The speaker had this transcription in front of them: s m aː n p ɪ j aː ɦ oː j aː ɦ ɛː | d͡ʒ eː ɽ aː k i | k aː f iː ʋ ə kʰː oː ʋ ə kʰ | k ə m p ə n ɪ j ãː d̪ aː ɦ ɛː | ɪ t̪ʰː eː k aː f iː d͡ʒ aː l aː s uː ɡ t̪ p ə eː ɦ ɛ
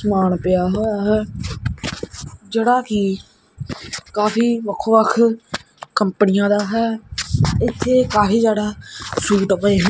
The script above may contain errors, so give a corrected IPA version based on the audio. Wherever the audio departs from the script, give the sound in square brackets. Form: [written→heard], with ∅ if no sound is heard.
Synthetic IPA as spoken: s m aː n p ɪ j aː ɦ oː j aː ɦ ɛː | d͡ʒ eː ɽ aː k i | k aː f iː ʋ ə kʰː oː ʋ ə kʰ | k ə m p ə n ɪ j ãː d̪ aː ɦ ɛː | ɪ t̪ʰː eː k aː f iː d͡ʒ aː [l→ɽ] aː s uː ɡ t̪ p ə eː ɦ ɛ